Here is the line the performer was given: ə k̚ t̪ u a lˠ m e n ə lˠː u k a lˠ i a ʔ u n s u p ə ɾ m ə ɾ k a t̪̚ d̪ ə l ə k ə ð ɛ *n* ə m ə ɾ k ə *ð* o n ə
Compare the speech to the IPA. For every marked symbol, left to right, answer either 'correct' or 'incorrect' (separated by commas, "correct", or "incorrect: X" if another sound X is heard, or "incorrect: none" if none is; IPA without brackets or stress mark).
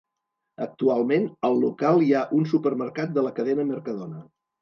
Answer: correct, correct